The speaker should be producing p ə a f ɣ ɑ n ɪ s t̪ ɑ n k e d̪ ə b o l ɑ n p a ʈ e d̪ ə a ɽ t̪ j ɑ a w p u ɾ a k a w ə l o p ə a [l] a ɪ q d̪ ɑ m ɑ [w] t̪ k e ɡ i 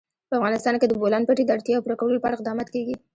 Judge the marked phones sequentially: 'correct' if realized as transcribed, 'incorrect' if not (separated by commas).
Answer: incorrect, incorrect